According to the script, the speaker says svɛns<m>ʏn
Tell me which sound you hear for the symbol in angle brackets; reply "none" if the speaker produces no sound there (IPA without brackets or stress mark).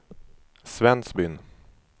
b